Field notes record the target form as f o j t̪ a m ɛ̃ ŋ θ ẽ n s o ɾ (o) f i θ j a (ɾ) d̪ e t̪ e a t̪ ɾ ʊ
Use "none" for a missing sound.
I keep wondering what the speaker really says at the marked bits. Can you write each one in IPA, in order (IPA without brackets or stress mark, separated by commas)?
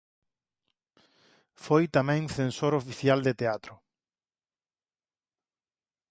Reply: o, l